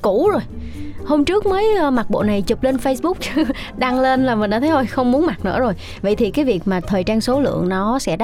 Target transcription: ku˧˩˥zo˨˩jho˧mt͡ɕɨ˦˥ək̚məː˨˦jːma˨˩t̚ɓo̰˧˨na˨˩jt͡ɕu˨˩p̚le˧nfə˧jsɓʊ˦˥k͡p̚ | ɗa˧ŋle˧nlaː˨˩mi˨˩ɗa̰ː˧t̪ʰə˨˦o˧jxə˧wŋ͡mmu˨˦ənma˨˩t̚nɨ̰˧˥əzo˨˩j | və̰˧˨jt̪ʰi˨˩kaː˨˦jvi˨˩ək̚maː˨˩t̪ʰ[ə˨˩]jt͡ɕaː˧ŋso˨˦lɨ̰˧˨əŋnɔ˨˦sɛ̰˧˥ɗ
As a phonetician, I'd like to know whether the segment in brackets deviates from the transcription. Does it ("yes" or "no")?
yes